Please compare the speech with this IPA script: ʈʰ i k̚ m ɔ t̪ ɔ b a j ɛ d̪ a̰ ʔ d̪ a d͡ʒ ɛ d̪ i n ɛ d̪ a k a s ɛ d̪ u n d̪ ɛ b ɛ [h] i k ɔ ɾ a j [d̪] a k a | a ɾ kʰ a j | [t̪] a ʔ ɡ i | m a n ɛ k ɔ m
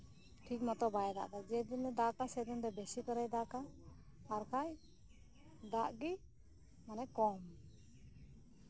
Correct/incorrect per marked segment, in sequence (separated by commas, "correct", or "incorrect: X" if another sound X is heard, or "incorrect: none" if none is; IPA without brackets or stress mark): incorrect: s, correct, incorrect: d̪